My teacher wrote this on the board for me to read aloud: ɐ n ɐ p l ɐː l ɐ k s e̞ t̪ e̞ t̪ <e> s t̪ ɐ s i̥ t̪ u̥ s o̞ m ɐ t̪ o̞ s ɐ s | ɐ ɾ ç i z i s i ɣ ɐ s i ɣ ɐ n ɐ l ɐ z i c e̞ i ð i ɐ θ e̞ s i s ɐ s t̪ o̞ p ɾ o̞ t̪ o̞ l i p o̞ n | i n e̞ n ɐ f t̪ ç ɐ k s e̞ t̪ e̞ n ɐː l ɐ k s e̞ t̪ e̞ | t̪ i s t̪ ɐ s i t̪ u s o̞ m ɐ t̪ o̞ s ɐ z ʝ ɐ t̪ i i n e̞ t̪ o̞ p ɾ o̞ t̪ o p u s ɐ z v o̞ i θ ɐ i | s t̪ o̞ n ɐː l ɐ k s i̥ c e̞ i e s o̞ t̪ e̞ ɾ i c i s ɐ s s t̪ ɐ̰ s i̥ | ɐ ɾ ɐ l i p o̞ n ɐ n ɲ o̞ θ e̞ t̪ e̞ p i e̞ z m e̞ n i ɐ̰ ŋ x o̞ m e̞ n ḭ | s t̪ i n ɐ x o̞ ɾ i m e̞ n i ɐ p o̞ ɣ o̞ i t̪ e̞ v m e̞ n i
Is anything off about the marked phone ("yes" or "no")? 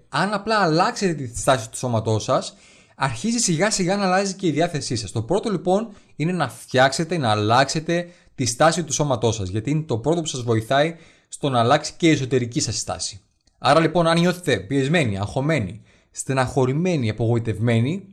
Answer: yes